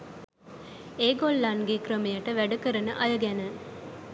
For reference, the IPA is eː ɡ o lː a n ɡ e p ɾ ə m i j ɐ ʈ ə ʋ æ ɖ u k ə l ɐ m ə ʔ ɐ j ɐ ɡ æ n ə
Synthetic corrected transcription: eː ɡ o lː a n ɡ e k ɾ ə m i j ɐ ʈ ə ʋ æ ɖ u k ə ɾ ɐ n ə ʔ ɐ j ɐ ɡ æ n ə